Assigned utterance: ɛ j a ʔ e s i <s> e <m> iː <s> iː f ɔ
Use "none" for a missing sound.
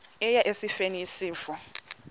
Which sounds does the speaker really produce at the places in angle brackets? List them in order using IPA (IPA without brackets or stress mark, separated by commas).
f, n, s